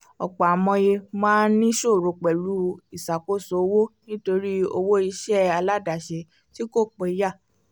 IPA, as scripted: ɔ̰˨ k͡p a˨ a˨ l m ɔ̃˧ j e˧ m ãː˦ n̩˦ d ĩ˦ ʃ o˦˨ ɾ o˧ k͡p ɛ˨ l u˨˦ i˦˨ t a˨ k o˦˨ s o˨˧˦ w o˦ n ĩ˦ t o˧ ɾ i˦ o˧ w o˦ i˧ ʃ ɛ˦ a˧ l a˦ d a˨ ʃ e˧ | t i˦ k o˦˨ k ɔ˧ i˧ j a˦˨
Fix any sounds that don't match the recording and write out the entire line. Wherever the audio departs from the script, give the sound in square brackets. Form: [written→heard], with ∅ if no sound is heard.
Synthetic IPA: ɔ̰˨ k͡p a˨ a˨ [l→∅] m ɔ̃˧ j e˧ m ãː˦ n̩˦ [d→n] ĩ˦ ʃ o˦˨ ɾ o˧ k͡p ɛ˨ l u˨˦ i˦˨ [t→s] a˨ k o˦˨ s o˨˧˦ w o˦ n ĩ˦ t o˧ ɾ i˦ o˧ w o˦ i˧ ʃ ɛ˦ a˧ l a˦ d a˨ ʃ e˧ | t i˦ k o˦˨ [k→k͡p] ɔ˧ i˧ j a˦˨